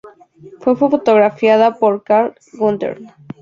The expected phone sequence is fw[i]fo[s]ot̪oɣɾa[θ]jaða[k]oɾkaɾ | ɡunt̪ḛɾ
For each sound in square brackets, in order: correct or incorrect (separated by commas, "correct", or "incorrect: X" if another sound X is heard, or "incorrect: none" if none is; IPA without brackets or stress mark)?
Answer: incorrect: e, incorrect: f, incorrect: f, incorrect: p